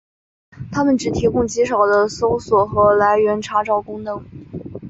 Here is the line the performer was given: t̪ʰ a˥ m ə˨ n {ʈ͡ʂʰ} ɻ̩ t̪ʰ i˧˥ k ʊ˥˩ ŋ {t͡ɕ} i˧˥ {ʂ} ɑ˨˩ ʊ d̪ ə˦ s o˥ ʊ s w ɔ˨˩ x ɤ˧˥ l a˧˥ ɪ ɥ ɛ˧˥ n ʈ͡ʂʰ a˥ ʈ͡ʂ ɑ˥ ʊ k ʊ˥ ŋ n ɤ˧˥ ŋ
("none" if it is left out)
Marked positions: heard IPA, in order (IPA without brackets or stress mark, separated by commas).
ʈ͡ʂ, t͡ɕ, ʂ